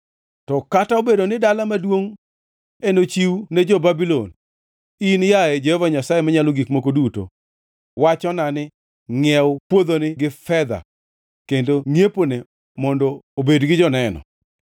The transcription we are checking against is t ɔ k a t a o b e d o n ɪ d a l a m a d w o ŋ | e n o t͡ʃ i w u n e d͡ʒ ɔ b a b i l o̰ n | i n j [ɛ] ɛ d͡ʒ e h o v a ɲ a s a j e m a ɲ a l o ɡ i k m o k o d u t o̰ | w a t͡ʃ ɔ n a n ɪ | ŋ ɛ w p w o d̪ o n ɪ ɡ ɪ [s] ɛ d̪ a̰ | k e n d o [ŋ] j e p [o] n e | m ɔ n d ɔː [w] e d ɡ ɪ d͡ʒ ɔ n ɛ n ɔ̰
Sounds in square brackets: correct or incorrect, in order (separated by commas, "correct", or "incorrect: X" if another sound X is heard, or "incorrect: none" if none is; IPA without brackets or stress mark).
incorrect: a, incorrect: f, correct, correct, incorrect: b